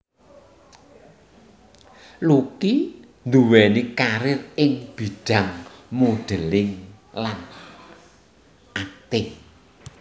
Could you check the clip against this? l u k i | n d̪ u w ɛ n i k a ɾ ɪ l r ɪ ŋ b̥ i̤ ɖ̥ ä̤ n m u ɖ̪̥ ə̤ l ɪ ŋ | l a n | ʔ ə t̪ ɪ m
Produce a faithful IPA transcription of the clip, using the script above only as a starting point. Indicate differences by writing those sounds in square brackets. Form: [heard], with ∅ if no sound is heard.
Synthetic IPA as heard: l u k i | n d̪ u w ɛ n i k a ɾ ɪ [∅] r ɪ ŋ b̥ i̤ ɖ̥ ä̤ [ŋ] m u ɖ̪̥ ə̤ l ɪ ŋ | l a n | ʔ [a] t̪ ɪ [ŋ]